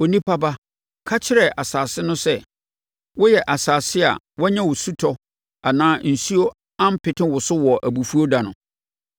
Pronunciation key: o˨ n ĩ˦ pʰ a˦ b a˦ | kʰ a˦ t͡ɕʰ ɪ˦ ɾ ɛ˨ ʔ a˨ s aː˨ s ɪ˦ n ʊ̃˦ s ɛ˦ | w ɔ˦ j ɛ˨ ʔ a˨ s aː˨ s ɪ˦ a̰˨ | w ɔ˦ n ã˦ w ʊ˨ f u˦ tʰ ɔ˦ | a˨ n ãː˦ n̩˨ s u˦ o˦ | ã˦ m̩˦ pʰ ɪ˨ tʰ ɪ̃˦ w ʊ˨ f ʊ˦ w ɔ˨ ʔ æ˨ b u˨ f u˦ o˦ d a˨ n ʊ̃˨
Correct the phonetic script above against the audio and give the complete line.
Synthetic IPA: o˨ n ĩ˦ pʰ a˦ b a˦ | kʰ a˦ t͡ɕʰ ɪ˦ ɾ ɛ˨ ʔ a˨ s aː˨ s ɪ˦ n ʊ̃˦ s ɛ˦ | w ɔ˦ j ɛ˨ ʔ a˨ s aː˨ s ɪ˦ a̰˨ | w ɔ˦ ɲ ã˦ w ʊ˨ s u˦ tʰ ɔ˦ | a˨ n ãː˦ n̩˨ s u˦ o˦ | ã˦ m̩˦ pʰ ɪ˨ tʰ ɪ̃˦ w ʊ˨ s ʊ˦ w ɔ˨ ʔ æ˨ b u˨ f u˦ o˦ d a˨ n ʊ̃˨